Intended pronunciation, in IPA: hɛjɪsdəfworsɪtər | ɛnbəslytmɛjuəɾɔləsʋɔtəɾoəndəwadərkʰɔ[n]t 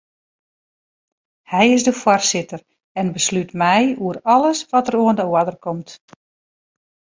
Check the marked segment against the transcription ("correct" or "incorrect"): incorrect